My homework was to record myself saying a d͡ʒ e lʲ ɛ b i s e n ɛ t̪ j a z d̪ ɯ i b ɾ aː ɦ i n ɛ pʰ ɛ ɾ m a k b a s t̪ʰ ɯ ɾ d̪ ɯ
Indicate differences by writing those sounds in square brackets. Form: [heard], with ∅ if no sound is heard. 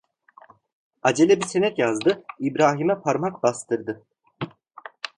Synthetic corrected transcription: a d͡ʒ e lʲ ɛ b i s e n ɛ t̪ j a z d̪ ɯ i b ɾ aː ɦ i [m] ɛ pʰ [a] ɾ m a k b a s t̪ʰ ɯ ɾ d̪ ɯ